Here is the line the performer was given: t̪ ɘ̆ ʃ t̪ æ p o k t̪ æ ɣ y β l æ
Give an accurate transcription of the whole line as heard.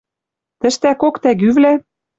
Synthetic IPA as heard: t̪ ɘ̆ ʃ t̪ æ k o k t̪ æ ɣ y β l æ